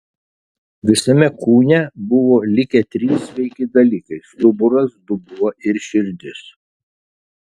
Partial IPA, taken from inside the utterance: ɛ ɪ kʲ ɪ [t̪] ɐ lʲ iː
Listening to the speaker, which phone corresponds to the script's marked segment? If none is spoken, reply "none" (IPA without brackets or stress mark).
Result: d̪